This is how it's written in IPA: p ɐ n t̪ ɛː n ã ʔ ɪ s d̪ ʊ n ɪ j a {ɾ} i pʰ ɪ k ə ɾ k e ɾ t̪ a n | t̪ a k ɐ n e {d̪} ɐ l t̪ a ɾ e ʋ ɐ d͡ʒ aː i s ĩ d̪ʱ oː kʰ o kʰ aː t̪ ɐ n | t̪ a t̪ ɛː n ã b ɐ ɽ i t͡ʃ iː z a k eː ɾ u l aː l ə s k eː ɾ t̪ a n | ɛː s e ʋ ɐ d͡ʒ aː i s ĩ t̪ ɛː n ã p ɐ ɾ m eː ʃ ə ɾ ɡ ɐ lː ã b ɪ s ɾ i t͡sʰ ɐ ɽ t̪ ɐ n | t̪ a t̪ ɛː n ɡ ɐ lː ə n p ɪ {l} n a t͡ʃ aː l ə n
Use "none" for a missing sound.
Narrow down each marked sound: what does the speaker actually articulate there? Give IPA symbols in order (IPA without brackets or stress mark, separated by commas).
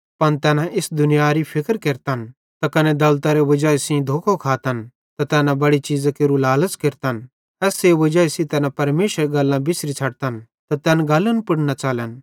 ɾ, d̪, ɽ